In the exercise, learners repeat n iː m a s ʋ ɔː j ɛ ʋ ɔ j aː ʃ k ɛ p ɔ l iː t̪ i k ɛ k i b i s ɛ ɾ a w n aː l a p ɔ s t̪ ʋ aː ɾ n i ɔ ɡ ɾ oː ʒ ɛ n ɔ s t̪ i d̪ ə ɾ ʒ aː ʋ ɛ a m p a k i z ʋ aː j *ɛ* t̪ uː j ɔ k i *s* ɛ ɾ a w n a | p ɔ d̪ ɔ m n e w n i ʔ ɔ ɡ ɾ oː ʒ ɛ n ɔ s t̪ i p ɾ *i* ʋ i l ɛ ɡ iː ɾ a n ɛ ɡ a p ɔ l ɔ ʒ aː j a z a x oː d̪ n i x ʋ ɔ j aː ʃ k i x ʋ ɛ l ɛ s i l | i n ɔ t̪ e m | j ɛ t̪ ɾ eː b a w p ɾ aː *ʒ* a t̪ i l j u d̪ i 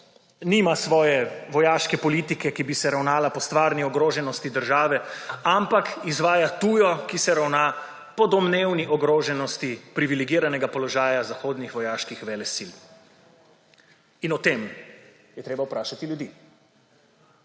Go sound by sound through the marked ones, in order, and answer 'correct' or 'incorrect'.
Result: incorrect: a, correct, correct, incorrect: ʃ

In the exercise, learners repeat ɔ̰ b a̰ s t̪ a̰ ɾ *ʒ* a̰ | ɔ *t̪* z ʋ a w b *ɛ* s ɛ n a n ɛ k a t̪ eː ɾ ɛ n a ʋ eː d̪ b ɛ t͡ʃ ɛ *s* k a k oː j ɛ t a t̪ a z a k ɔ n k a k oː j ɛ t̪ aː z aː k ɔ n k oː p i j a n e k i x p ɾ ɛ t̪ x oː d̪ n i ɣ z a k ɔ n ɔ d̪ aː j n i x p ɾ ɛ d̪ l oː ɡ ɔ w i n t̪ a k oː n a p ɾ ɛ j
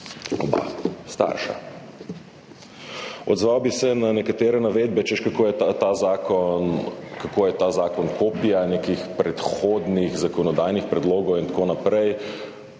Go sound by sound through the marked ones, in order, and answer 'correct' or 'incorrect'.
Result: incorrect: ʃ, incorrect: d̪, incorrect: i, incorrect: ʃ

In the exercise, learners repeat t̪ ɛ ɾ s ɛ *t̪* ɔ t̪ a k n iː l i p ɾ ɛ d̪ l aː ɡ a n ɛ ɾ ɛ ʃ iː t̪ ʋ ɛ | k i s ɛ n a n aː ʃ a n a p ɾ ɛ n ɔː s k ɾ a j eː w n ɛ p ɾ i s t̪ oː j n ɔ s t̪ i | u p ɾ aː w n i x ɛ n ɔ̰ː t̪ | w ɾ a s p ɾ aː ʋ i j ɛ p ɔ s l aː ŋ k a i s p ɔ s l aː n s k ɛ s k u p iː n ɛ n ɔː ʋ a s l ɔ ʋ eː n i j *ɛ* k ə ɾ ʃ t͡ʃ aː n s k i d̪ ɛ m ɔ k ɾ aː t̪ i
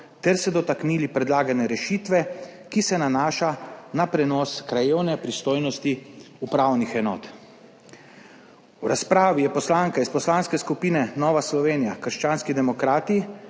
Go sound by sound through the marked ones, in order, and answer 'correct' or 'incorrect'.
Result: incorrect: d̪, incorrect: a

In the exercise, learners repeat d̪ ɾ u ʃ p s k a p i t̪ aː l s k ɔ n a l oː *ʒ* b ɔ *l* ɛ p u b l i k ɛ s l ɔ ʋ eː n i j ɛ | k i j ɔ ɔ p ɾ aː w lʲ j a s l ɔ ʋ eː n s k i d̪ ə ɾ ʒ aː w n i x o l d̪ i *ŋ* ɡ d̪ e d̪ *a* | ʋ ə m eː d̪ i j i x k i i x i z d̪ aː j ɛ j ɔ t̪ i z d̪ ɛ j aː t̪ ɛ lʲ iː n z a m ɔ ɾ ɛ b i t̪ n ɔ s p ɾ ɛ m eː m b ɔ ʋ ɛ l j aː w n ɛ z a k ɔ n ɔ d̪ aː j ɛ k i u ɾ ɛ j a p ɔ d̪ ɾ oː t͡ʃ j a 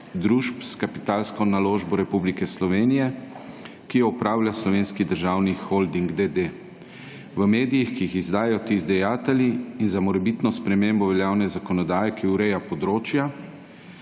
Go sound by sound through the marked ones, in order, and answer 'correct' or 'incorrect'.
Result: correct, incorrect: ɾ, correct, incorrect: e

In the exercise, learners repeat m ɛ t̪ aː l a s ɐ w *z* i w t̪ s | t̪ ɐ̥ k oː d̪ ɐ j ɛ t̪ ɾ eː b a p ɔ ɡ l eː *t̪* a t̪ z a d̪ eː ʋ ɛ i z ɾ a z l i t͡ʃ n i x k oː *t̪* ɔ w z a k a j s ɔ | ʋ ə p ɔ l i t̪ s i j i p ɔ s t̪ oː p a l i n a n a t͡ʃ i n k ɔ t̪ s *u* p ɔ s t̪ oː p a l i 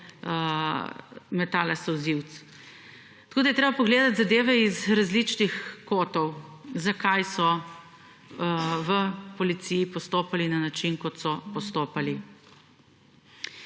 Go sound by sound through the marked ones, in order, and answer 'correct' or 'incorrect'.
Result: correct, incorrect: d̪, correct, incorrect: ɔ

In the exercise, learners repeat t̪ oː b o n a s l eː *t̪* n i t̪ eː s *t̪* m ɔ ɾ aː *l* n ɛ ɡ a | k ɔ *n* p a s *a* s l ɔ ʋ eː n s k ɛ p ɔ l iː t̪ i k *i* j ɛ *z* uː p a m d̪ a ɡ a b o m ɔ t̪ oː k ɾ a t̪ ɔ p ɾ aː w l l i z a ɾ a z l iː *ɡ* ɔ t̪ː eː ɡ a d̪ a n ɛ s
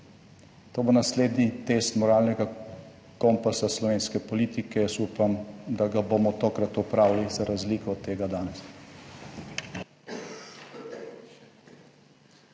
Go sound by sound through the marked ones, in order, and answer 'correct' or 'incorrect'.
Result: incorrect: d̪, correct, correct, incorrect: m, correct, incorrect: ɛ, incorrect: s, incorrect: k

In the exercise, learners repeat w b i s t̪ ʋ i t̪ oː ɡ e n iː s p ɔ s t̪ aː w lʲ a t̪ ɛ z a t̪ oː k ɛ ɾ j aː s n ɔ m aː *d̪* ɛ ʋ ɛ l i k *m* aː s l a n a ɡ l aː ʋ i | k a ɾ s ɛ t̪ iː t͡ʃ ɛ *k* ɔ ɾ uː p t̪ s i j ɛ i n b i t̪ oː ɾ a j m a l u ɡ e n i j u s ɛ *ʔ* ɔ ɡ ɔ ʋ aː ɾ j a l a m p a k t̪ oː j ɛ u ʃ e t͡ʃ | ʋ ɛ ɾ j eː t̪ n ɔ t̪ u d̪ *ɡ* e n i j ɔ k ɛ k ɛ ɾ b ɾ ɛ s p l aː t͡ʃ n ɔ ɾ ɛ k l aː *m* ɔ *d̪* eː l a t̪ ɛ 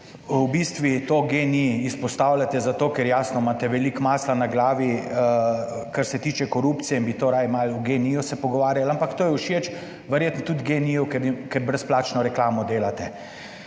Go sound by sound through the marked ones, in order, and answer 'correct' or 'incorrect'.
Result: incorrect: t̪, correct, correct, incorrect: p, correct, correct, correct

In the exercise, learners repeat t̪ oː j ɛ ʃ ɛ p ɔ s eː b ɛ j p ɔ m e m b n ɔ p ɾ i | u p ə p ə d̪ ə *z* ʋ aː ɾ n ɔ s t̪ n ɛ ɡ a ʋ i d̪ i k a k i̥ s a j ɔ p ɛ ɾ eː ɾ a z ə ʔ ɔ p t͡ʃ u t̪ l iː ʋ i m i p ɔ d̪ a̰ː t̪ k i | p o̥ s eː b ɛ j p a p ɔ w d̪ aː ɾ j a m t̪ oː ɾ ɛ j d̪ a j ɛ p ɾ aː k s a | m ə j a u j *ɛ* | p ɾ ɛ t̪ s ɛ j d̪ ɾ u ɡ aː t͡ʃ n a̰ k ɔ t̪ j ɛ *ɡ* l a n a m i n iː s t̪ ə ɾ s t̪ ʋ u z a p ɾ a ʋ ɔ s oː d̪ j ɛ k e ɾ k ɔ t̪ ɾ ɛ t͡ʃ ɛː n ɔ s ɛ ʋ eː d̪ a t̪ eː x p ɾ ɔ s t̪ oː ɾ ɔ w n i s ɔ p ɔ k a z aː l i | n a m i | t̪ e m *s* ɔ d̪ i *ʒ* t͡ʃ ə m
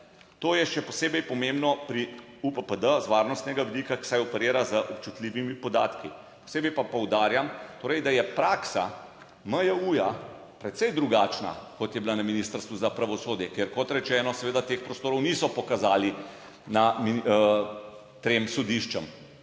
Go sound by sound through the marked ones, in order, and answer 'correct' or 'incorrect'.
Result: correct, incorrect: a, incorrect: b, correct, incorrect: ʃ

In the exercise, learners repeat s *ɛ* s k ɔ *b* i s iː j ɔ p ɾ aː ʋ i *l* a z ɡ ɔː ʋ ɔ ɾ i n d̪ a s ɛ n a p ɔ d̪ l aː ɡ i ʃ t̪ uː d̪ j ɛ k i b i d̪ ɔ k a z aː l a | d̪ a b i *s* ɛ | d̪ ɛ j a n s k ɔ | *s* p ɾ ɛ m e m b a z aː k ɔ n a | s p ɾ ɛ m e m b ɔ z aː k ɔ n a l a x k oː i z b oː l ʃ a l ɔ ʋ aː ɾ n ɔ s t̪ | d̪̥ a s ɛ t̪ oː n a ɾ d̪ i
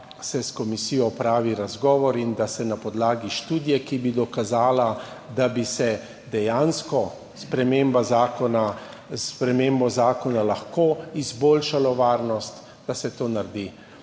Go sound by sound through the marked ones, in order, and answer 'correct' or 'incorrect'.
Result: correct, incorrect: m, incorrect: ɾ, correct, correct

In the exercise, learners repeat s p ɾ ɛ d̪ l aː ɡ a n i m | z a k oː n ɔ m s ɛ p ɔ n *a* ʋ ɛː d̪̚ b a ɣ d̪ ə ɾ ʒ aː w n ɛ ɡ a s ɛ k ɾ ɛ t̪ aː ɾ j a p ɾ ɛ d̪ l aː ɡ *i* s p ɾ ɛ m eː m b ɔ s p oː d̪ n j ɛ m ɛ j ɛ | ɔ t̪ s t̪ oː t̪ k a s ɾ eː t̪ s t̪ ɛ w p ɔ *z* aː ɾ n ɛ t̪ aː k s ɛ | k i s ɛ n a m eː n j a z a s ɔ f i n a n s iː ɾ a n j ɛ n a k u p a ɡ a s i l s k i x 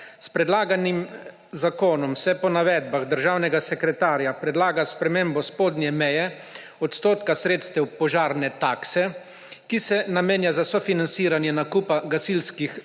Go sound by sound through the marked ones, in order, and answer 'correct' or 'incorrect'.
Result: correct, incorrect: a, incorrect: ʒ

